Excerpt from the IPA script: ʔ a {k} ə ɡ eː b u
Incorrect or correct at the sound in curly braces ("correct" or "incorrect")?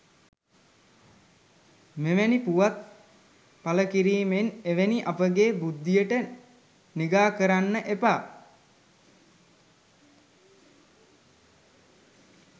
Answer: incorrect